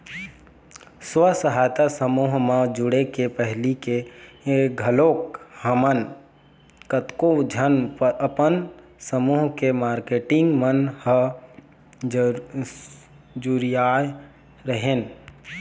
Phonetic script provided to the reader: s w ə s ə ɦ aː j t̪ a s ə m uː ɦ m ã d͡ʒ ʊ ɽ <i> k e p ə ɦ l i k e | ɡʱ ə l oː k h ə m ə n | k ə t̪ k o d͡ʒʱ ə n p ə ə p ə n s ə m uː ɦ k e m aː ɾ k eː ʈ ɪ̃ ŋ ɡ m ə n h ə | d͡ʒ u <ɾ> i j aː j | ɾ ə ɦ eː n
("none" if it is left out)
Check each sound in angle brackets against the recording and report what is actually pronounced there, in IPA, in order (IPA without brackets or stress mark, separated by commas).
e, ɾ